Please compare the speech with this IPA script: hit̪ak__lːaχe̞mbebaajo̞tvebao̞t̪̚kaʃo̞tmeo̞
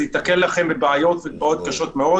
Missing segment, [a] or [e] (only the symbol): e